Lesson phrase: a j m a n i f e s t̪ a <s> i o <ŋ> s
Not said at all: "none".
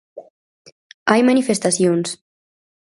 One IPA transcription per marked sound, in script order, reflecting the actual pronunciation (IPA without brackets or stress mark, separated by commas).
s, n